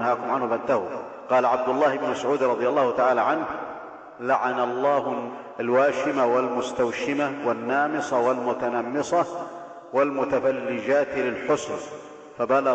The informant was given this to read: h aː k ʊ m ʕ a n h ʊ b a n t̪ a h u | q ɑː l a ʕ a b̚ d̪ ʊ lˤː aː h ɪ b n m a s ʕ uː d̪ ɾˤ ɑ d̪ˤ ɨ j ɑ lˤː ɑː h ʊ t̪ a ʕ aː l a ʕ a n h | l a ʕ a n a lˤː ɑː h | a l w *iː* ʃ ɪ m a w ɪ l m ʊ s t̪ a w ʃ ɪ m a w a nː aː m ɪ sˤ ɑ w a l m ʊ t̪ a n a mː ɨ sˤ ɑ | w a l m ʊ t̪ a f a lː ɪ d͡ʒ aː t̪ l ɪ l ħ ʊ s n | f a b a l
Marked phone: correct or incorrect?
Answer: incorrect